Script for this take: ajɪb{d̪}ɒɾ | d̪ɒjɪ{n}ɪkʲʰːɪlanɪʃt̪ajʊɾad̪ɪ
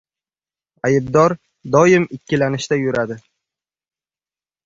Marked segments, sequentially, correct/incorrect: correct, incorrect

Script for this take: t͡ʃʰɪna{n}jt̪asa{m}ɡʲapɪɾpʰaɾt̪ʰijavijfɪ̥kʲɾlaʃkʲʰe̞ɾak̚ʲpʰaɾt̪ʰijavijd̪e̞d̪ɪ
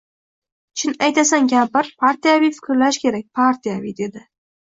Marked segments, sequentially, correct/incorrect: incorrect, incorrect

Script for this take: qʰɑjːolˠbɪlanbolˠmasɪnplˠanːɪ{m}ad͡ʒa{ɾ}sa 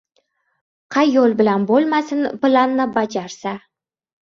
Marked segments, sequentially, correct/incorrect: incorrect, correct

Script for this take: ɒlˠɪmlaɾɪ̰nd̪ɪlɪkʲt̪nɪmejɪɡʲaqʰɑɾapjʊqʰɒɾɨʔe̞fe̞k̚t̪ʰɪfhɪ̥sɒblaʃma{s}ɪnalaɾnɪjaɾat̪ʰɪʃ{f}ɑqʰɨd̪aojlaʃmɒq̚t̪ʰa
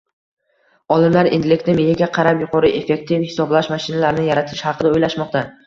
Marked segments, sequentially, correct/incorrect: incorrect, incorrect

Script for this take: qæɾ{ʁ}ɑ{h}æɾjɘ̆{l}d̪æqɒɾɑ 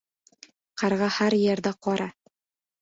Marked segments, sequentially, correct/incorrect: correct, correct, incorrect

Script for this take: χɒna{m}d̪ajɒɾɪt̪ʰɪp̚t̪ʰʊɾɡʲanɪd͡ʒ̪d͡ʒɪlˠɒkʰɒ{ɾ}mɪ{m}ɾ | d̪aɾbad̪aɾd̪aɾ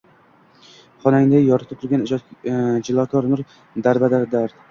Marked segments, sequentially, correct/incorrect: incorrect, correct, incorrect

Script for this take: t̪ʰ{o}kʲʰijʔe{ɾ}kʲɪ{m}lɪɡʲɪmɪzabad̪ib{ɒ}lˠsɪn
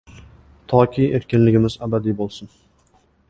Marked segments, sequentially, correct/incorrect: incorrect, correct, incorrect, incorrect

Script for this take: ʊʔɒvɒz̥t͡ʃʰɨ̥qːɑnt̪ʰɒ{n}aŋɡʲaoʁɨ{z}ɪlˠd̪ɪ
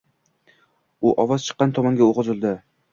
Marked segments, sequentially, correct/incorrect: incorrect, correct

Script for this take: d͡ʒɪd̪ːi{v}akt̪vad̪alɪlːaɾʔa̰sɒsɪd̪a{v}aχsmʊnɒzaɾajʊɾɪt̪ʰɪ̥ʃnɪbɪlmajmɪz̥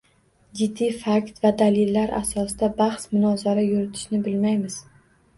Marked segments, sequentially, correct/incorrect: incorrect, incorrect

